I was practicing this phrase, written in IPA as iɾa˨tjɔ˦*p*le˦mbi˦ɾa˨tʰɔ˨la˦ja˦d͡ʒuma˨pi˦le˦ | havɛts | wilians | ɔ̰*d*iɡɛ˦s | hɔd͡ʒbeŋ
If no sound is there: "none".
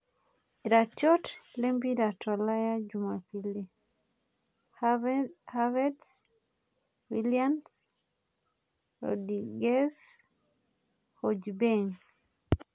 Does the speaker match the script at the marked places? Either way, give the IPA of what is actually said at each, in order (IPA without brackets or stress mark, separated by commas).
t, d